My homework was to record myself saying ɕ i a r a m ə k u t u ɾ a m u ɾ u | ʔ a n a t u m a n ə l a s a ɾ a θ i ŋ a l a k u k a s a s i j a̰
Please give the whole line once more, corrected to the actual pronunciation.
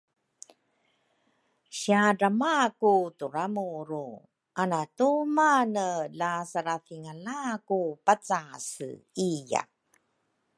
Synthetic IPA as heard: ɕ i a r a m a k u t u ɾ a m u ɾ u | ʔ a n a t u m a n ə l a s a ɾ a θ i ŋ a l a k u p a t͡s a s i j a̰